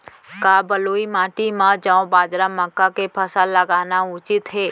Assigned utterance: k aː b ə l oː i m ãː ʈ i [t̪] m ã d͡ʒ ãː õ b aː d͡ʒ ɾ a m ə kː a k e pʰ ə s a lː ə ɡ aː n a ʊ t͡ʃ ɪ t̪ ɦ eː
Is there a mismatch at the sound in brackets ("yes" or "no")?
yes